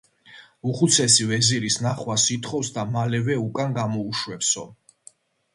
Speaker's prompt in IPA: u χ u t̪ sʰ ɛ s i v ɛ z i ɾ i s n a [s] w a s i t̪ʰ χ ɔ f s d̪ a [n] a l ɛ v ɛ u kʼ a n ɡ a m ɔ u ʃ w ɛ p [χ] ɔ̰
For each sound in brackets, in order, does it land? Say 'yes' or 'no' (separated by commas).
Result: no, no, no